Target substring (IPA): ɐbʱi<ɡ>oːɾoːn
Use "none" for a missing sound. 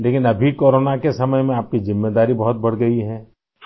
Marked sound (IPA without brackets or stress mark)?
k